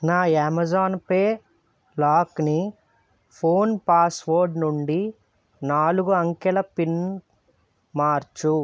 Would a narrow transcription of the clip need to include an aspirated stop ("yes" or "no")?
yes